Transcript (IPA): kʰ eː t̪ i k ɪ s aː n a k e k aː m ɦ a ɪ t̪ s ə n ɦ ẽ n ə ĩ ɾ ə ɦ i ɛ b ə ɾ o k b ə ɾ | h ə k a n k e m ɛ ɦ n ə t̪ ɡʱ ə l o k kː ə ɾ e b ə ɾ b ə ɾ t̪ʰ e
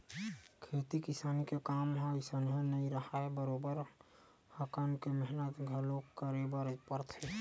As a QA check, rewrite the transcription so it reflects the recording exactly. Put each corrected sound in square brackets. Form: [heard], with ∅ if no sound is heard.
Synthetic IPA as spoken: kʰ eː t̪ i k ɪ s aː n [i] k e k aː m ɦ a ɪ [∅] s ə n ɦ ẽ n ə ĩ ɾ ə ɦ [a] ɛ b ə ɾ o [∅] b ə ɾ | h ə k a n k e m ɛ ɦ n ə t̪ ɡʱ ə l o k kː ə ɾ e b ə ɾ [p] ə ɾ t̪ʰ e

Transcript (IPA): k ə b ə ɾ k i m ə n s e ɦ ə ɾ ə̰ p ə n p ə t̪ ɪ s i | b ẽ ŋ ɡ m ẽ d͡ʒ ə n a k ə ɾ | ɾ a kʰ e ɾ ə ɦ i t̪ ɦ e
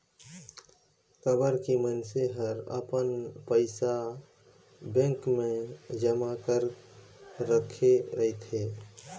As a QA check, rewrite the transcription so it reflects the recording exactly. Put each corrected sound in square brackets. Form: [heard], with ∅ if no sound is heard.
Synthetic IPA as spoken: k ə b ə ɾ k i m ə n s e ɦ ə ɾ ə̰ p ə n p ə [∅] ɪ s [a] | b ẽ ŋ [k] m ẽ d͡ʒ ə [m] a k ə ɾ | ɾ [ə] kʰ e ɾ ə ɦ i t̪ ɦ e

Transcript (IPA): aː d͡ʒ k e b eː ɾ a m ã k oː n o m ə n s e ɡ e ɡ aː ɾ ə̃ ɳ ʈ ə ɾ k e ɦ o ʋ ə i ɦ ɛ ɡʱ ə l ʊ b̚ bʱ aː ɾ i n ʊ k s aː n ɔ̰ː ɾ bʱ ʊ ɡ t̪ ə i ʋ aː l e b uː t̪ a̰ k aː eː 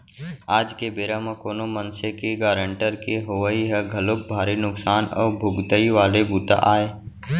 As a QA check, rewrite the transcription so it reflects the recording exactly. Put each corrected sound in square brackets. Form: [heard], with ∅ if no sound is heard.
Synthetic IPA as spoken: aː d͡ʒ k e b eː ɾ a m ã k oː n o m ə n s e [k] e ɡ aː ɾ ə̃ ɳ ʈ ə ɾ k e ɦ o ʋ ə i ɦ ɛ ɡʱ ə l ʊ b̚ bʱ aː ɾ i n ʊ k s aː n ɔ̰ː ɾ bʱ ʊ ɡ t̪ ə i ʋ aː l e b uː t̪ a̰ [ʔ] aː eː

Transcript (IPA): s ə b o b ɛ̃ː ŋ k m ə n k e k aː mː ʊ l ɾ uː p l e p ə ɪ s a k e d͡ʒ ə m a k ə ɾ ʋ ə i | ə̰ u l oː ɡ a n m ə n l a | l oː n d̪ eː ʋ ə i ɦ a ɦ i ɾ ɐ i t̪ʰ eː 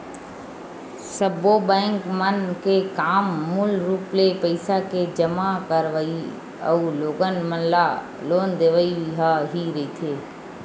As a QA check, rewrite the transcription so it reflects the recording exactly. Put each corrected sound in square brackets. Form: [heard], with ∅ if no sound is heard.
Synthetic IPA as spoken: s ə b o b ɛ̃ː ŋ k m ə n k e k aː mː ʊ l ɾ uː p l e p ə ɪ s a k e d͡ʒ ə m a k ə ɾ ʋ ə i | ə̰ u l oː ɡ [ə] n m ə n l a | l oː n d̪ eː ʋ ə i ɦ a ɦ i ɾ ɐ i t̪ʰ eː

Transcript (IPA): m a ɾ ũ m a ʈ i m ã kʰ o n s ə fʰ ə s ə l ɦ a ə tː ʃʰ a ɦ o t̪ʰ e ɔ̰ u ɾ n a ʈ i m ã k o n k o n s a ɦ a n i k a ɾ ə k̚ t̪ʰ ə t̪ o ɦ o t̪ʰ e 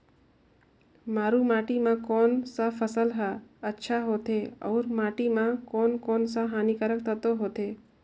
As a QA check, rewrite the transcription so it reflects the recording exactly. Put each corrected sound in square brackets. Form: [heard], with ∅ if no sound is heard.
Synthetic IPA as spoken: m a ɾ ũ m a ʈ i m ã [k] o n s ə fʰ ə s ə l ɦ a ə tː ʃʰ a ɦ o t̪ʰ e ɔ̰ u ɾ [m] a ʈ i m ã k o n k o n s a ɦ a n i k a ɾ ə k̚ t̪ʰ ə t̪ o ɦ o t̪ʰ e

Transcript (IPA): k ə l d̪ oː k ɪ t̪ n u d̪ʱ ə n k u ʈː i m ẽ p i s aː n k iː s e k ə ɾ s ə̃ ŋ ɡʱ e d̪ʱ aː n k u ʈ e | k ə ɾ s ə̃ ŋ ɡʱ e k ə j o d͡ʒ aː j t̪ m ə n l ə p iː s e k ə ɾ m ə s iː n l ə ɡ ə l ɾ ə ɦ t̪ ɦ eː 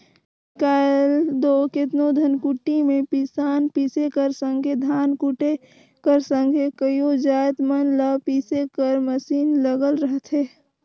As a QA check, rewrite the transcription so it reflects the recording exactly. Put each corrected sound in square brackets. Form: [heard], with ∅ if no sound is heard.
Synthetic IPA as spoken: k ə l d̪ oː k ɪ t̪ n [o] d̪ʱ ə n k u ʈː i m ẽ p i s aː n [p] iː s e k ə ɾ s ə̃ ŋ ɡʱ e d̪ʱ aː n k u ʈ e | k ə ɾ s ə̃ ŋ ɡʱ e k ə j o d͡ʒ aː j t̪ m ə n l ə p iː s e k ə ɾ m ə s iː n l ə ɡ ə l ɾ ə ɦ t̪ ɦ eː

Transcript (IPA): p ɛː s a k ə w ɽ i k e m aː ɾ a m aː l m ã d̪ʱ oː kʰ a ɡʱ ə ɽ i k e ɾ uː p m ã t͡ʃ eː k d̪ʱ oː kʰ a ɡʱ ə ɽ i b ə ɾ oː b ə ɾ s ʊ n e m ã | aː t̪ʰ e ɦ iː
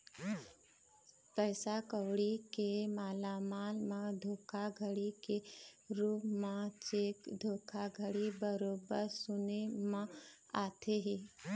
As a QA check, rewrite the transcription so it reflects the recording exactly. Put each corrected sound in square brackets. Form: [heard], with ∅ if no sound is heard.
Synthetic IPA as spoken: p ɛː s a k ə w ɽ i k e m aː [l] a m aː l m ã d̪ʱ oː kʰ a ɡʱ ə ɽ i k e ɾ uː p m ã t͡ʃ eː k d̪ʱ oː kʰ a ɡʱ ə ɽ i b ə ɾ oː b ə ɾ s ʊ n e m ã | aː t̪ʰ e ɦ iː

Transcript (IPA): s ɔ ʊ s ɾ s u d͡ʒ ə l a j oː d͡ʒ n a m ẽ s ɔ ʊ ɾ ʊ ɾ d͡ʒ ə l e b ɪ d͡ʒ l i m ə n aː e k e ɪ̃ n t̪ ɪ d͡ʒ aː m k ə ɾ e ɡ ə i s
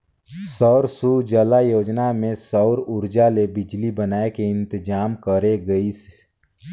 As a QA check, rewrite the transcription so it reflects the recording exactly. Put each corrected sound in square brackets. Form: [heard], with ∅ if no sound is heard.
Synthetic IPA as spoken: s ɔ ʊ [∅] ɾ s u d͡ʒ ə l a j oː d͡ʒ n a m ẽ s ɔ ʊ ɾ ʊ ɾ d͡ʒ [a] l e b ɪ d͡ʒ l i [b] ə n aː e k e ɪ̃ n t̪ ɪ d͡ʒ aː m k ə ɾ e ɡ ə i s

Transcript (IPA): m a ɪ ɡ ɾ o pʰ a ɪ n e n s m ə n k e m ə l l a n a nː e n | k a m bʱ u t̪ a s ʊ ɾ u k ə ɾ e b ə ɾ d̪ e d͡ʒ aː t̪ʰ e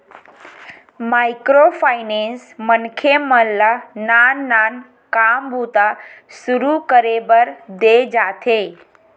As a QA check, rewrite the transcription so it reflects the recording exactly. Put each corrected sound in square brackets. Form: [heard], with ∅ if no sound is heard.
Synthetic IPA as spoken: m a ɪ [k] ɾ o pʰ a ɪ n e n s m ə n [kʰ] e m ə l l a n a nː [a] n | k a m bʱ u t̪ a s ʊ ɾ u k ə ɾ e b ə ɾ d̪ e d͡ʒ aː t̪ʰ e

